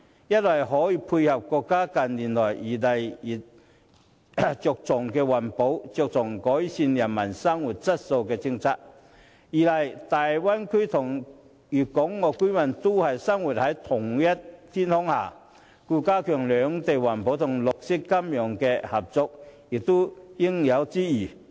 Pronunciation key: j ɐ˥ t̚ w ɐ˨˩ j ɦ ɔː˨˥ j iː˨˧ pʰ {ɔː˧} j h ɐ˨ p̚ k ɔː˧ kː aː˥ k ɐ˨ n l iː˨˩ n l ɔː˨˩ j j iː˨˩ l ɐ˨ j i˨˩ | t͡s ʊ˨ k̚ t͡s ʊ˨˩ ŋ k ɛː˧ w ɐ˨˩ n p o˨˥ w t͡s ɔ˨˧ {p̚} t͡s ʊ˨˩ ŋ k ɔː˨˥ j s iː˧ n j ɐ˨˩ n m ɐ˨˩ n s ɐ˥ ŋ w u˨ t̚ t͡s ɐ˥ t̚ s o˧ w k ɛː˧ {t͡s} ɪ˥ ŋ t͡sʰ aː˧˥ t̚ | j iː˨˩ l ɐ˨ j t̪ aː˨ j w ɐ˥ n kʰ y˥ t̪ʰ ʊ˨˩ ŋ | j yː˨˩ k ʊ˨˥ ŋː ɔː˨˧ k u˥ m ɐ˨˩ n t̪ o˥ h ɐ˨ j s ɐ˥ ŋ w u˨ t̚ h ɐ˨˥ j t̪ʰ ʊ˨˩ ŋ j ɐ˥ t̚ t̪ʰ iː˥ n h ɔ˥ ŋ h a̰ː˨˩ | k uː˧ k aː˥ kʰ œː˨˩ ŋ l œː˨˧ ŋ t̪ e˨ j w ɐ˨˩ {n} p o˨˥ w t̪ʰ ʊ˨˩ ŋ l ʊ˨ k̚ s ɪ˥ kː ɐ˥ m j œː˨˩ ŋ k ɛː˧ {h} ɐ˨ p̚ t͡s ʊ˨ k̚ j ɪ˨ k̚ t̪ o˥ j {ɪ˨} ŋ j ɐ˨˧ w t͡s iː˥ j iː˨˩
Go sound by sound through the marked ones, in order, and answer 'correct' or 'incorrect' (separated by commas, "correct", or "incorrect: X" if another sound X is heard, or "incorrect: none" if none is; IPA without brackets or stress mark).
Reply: incorrect: uː˧, incorrect: k̚, correct, correct, correct, incorrect: ɪ˥